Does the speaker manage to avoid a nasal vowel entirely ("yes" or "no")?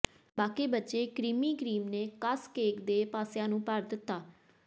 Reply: no